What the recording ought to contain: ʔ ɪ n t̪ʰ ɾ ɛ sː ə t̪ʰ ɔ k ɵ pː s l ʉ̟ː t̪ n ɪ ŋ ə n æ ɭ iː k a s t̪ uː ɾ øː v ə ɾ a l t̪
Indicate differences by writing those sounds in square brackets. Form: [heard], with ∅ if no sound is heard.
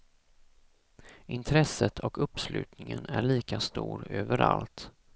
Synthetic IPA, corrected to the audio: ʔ ɪ n t̪ʰ ɾ ɛ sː ə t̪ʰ ɔ k ɵ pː s l ʉ̟ː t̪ n ɪ ŋ ə n æ ɭ iː k a s t̪ uː ɾ øː v ə ɾ a l t̪